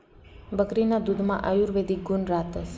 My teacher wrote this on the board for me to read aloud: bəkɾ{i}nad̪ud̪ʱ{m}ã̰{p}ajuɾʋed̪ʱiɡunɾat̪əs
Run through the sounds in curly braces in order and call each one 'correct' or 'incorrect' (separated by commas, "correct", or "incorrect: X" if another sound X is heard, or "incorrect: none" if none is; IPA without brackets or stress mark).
correct, correct, incorrect: ʔ